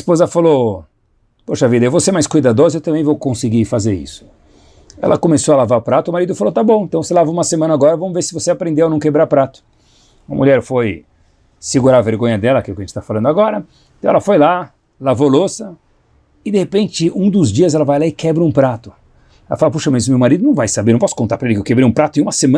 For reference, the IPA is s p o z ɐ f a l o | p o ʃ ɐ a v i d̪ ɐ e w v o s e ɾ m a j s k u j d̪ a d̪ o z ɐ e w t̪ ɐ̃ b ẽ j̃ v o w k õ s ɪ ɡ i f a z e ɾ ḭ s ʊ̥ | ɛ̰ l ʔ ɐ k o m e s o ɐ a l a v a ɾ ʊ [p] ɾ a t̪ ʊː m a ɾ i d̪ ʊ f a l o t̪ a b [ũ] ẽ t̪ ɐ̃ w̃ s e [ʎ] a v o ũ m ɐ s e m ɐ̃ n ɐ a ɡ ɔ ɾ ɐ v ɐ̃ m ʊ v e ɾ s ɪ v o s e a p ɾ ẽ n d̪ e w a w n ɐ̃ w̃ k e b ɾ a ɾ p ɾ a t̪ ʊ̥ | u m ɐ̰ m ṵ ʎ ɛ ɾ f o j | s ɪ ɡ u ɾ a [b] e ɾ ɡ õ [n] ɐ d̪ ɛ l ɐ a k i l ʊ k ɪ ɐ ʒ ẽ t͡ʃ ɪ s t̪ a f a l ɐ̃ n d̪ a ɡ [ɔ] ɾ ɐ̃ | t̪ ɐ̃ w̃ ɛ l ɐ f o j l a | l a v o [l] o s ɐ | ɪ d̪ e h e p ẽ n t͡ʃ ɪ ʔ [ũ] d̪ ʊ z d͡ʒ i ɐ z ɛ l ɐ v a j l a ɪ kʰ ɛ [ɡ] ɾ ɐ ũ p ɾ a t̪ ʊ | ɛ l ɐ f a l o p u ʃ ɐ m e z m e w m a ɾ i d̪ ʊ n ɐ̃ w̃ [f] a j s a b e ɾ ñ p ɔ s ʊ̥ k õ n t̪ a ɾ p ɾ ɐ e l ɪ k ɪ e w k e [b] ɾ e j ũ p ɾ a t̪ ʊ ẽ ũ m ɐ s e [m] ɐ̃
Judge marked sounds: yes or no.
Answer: yes, no, no, no, no, yes, yes, yes, no, no, yes, yes

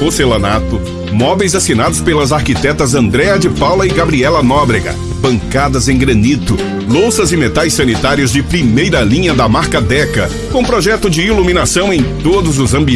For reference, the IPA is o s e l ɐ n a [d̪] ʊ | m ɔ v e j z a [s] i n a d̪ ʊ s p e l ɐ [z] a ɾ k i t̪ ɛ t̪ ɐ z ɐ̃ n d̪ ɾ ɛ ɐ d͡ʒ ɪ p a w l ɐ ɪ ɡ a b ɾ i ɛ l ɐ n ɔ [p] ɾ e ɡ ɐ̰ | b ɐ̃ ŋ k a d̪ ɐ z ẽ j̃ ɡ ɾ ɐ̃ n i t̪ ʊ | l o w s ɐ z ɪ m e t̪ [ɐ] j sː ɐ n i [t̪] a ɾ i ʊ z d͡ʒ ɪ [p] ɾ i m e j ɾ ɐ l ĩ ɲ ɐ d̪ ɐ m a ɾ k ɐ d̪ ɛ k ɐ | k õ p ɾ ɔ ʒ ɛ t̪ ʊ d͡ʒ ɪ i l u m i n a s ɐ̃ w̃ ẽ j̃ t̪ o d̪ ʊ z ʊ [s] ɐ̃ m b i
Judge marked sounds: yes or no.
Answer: no, yes, yes, no, no, yes, yes, no

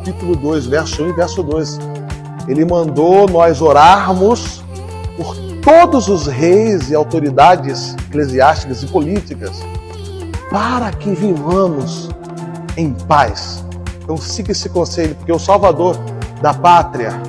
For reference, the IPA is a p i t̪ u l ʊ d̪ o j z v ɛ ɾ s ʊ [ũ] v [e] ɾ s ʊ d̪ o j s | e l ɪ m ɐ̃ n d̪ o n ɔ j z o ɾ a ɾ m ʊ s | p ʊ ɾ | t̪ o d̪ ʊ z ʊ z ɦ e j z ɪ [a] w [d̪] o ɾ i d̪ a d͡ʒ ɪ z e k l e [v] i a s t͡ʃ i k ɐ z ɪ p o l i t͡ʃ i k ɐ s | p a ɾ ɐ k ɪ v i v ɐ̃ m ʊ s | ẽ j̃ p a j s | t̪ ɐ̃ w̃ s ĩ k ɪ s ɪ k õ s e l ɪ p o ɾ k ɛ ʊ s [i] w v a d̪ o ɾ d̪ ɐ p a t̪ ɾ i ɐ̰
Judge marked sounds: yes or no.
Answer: yes, no, yes, no, no, no

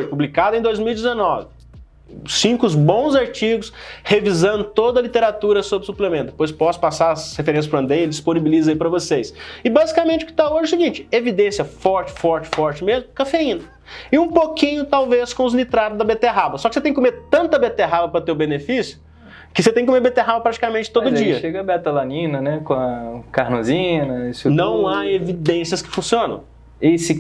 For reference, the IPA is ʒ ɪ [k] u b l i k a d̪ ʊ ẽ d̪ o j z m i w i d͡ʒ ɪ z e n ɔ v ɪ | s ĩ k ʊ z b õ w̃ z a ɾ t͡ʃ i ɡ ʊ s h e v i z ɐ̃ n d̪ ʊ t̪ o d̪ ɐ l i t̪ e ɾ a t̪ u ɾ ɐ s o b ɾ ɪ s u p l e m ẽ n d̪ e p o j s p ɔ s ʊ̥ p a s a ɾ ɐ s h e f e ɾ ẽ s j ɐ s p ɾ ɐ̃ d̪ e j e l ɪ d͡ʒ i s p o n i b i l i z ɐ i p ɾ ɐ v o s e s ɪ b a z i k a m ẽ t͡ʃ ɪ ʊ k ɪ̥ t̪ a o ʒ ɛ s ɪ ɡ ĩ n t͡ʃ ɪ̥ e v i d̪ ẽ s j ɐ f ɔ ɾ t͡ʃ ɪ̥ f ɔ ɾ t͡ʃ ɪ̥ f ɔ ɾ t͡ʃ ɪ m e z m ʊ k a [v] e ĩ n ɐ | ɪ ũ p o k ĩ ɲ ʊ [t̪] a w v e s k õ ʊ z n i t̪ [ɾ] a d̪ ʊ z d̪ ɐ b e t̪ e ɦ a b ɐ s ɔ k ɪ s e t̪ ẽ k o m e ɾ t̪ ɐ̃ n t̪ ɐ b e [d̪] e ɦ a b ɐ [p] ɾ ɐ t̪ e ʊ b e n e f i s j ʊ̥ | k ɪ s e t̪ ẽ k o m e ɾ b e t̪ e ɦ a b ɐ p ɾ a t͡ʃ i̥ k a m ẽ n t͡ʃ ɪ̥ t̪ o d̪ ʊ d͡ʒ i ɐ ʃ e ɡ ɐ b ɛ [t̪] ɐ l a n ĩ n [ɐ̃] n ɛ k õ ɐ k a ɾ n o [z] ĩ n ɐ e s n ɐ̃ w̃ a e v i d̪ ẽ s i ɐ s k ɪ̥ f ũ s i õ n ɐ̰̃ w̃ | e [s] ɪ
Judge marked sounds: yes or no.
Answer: no, no, yes, yes, no, yes, yes, no, yes, yes

